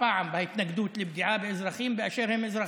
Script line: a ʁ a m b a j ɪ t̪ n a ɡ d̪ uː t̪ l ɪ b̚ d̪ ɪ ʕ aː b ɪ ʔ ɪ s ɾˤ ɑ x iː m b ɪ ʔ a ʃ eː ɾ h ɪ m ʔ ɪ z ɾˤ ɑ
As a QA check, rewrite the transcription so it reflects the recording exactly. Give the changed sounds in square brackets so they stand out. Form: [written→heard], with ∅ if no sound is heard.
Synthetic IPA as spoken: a [ʁ→ʕ] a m b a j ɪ t̪ n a ɡ d̪ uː t̪ l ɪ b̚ d̪ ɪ ʕ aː b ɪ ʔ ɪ [s→z] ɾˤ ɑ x iː m b ɪ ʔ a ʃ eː ɾ h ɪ m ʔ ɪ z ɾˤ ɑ